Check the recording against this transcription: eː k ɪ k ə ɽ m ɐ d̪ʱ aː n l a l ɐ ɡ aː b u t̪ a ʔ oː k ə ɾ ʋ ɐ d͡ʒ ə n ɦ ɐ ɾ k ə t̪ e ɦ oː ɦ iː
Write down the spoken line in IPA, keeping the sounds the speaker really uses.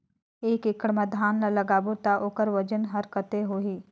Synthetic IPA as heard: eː k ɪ k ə ɽ m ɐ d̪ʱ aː n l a l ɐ ɡ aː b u t̪ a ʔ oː k ə ɾ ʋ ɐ d͡ʒ ə n ɦ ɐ ɾ k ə t̪ e ɦ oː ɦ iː